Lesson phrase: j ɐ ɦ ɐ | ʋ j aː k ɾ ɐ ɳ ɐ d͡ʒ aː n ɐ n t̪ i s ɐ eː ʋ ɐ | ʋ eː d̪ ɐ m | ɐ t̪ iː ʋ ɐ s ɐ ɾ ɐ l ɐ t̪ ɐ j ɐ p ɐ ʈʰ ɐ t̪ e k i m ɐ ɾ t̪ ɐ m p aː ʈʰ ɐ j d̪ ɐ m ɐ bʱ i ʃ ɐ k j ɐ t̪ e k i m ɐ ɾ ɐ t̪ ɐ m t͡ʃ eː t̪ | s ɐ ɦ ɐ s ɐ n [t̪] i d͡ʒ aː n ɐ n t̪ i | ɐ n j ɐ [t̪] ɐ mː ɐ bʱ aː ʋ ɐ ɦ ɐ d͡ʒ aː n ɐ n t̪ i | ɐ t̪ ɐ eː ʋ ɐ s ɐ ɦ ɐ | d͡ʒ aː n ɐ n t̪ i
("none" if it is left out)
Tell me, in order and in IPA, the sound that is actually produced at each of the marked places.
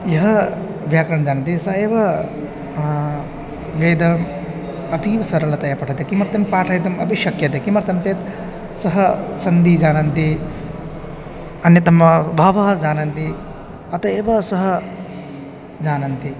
d̪, t̪

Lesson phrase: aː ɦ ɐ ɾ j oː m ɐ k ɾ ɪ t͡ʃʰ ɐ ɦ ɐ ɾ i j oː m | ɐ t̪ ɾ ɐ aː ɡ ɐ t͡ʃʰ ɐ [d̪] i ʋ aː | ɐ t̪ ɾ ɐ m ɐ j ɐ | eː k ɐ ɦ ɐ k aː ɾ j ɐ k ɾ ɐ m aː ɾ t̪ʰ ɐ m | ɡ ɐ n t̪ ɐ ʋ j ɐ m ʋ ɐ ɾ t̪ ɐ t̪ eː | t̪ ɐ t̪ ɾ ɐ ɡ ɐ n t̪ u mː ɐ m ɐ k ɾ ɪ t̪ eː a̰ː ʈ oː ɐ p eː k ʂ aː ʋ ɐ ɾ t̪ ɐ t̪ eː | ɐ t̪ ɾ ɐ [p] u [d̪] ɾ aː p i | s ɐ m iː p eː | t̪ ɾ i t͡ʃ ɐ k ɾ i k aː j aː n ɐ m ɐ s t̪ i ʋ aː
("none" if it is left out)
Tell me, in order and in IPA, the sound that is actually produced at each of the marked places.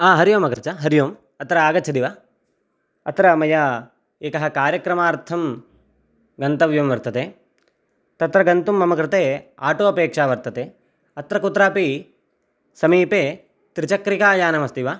d̪, k, t̪

